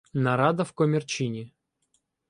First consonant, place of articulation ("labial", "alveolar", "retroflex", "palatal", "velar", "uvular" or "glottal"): alveolar